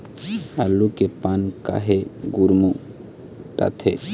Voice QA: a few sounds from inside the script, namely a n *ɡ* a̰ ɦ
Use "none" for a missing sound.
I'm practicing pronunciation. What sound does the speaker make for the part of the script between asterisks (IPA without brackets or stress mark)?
k